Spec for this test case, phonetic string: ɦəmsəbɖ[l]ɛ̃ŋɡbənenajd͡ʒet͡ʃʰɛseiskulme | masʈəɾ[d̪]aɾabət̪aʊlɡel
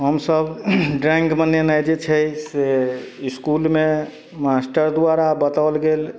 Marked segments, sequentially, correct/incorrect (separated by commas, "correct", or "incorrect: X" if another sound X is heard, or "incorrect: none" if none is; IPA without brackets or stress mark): incorrect: ɾ, correct